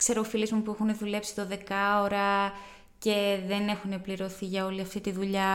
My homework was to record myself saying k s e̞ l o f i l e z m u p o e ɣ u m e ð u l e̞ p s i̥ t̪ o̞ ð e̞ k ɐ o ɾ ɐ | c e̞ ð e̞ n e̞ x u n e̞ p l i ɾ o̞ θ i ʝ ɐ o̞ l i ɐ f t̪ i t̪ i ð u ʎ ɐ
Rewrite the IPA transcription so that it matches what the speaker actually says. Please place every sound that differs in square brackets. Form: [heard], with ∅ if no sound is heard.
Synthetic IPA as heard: k s e̞ [ɾ] o f i l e z m u p [u] e [x] u [n] e ð u l e̞ p s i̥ t̪ o̞ ð e̞ k ɐ o ɾ ɐ | c e̞ ð e̞ n e̞ x u n e̞ p l i ɾ o̞ θ i ʝ ɐ o̞ l i ɐ f t̪ i t̪ i ð u ʎ ɐ